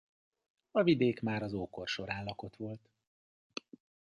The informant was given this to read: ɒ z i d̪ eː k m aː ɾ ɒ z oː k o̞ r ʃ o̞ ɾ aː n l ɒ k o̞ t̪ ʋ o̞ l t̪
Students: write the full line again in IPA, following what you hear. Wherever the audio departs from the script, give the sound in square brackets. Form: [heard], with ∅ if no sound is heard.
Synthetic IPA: ɒ [v] i d̪ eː k m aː ɾ ɒ z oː k o̞ r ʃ o̞ ɾ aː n l ɒ k o̞ t̪ ʋ o̞ l t̪